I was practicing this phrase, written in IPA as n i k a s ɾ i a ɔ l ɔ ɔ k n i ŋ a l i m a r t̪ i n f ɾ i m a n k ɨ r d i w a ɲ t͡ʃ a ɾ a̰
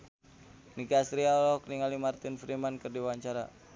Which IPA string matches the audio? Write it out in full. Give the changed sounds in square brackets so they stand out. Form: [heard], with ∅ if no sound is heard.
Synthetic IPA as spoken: n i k a s ɾ i a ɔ l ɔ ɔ k n i ŋ a l i m a r t̪ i n f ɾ i m a n k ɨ r d i w a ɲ t͡ʃ a ɾ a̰

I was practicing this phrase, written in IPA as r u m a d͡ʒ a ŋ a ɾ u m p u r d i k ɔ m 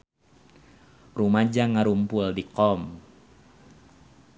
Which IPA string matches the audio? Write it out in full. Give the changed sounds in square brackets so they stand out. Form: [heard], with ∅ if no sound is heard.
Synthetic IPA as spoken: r u m a d͡ʒ a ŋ a ɾ u m p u [l] d i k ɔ m

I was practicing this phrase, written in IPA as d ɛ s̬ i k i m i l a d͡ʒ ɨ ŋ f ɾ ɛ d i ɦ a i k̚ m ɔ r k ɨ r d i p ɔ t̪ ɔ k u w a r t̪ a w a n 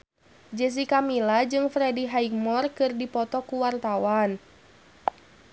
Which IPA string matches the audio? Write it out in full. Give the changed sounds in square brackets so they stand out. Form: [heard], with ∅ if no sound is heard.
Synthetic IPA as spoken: [d͡ʒ] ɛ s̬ i k [a] m i l a d͡ʒ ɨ ŋ f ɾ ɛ d i ɦ a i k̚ m ɔ r k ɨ r d i p ɔ t̪ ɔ k u w a r t̪ a w a n

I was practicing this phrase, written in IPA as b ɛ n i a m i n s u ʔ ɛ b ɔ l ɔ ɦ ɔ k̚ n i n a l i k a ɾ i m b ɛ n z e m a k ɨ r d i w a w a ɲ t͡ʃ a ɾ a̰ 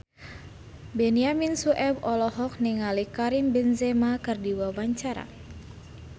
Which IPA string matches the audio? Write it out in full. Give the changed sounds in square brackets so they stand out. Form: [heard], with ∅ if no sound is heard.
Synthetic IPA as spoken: b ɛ n i a m i n s u ʔ ɛ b ɔ l ɔ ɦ ɔ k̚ n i [ŋ] a l i k a ɾ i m b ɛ n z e m a k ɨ r d i w a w a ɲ t͡ʃ a ɾ a̰

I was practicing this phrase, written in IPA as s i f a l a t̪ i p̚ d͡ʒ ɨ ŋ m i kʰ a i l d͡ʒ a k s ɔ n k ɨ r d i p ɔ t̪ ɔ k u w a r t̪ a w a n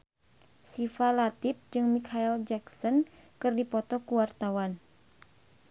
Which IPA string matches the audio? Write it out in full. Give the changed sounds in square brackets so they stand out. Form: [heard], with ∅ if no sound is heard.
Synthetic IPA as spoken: s i f a l a t̪ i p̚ d͡ʒ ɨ ŋ m i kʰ a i l d͡ʒ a k s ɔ n k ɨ r d i p ɔ t̪ ɔ k u w a r t̪ a w a n

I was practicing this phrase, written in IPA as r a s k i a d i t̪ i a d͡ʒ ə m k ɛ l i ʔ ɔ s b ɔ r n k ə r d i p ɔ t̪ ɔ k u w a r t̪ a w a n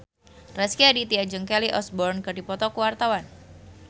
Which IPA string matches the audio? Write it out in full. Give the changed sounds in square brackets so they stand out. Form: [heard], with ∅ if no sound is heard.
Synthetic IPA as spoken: r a s k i a d i t̪ i a d͡ʒ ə [ŋ] k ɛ l i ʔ ɔ s b ɔ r n k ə r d i p ɔ t̪ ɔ k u w a r t̪ a w a n

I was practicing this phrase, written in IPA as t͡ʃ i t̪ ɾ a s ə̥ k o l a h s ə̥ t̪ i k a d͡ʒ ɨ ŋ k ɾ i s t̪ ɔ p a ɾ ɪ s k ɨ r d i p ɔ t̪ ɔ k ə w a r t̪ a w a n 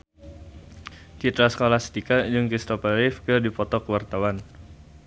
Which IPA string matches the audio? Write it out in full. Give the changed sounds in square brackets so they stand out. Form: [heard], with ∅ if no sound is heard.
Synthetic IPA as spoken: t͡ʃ i t̪ ɾ a s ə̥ k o l a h s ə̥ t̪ i k a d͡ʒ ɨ ŋ k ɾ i s t̪ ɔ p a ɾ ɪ [f] k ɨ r d i p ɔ t̪ ɔ k ə w a r t̪ a w a n

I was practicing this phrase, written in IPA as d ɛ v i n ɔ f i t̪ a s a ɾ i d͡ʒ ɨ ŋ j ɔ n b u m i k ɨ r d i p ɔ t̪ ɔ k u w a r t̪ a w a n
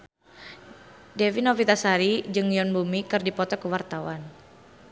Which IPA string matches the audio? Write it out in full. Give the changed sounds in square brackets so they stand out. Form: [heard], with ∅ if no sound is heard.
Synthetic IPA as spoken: d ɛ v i n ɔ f i t̪ a s a ɾ i d͡ʒ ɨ ŋ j ɔ n b u m i k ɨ r d i p ɔ t̪ ɔ k u w a r t̪ a w a n

